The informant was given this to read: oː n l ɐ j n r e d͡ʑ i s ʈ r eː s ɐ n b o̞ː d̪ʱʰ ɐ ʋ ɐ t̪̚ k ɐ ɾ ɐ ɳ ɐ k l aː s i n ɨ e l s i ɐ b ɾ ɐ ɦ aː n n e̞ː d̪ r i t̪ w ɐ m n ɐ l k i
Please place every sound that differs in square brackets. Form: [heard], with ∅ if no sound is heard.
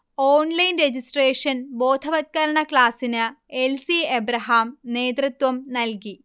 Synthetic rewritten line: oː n l ɐ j n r e d͡ʑ i s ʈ r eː [ʂ] ɐ n b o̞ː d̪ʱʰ ɐ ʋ ɐ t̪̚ k ɐ ɾ ɐ ɳ ɐ k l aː s i n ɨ e l s i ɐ b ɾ ɐ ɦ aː [m] n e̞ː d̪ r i t̪ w ɐ m n ɐ l k i